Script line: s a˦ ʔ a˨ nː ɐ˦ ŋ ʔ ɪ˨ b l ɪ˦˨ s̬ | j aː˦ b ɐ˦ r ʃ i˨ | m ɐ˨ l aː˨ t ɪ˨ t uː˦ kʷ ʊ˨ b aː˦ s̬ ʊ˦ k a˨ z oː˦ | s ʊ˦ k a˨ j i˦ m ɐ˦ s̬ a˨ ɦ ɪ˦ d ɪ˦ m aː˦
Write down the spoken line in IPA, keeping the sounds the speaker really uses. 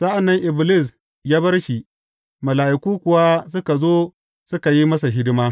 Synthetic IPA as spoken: s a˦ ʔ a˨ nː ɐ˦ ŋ ʔ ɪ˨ b l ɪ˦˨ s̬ | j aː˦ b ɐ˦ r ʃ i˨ | m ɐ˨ l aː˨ ʔ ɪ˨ k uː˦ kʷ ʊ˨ w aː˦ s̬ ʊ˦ k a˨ z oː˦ | s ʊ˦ k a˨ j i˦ m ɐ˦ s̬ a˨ ɦ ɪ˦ d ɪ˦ m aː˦